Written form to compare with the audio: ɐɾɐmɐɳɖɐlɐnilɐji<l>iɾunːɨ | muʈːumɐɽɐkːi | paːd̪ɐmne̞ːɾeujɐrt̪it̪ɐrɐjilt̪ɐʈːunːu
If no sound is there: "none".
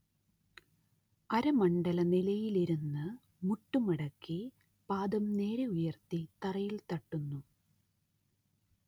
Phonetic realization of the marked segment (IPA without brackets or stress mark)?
l